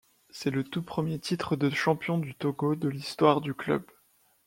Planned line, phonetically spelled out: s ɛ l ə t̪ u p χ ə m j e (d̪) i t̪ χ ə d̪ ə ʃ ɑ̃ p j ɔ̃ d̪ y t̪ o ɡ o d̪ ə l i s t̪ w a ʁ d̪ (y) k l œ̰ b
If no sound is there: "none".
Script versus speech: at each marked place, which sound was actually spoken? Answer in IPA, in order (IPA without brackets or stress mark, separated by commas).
t̪, y